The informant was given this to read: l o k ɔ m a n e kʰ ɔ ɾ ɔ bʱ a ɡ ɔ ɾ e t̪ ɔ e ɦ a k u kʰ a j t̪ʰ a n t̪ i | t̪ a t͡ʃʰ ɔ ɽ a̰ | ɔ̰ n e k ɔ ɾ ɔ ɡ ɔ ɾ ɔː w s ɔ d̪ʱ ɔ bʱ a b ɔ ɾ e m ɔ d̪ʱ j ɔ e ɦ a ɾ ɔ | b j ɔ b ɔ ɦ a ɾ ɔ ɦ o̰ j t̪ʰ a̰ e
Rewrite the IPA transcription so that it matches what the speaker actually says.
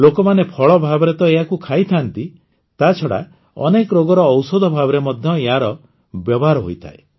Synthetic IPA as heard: l o k ɔ m a n e pʰ ɔ ɭ ɔ bʱ a b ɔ ɾ e t̪ ɔ e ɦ a k u kʰ a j t̪ʰ a n t̪ i | t̪ a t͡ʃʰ ɔ ɽ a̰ | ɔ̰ n e k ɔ ɾ o ɡ ɔ ɾ ɔː w s ɔ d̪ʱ ɔ bʱ a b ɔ ɾ e m ɔ d̪ʱ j ɔ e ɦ a ɾ ɔ | b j ɔ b ɔ ɦ a ɾ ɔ ɦ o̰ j t̪ʰ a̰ e